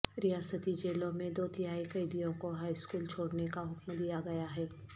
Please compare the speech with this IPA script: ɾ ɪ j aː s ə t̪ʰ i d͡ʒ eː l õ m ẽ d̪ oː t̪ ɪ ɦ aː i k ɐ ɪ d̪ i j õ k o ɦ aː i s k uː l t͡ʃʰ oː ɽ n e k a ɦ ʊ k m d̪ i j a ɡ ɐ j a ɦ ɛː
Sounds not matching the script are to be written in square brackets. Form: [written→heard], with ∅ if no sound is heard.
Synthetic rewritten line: ɾ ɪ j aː s ə [t̪ʰ→t̪] i d͡ʒ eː l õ m ẽ d̪ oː t̪ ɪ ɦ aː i k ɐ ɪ d̪ i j õ k o ɦ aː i s k uː l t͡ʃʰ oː ɽ n e k a ɦ ʊ k m d̪ i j a ɡ ɐ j a ɦ ɛː